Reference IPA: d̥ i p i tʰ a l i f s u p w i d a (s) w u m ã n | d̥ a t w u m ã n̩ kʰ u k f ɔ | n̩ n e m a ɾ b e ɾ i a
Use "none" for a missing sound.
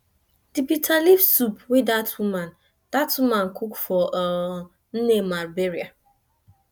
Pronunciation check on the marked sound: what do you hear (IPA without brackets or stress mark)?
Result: t